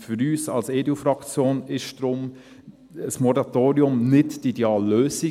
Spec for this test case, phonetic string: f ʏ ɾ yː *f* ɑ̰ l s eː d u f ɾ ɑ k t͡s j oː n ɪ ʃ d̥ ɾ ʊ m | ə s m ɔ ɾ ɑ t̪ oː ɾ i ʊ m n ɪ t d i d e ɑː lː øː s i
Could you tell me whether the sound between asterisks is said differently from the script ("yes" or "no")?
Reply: yes